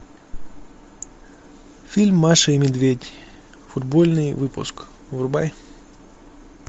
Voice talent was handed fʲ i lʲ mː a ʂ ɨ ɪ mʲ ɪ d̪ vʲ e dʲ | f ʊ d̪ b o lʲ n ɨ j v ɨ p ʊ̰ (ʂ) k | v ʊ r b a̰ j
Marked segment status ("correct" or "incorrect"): incorrect